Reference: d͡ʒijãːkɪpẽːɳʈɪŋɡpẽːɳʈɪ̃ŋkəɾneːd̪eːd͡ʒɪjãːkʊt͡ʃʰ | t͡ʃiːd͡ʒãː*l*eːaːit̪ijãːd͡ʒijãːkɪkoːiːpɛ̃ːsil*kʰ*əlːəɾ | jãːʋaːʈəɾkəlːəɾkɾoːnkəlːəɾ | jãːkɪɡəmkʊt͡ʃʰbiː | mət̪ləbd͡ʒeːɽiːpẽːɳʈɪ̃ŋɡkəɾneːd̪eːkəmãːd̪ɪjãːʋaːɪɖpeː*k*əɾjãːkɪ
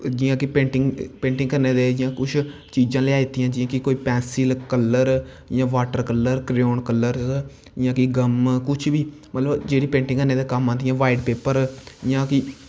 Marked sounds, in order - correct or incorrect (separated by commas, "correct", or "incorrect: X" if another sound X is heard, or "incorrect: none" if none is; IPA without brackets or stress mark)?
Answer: correct, incorrect: k, incorrect: p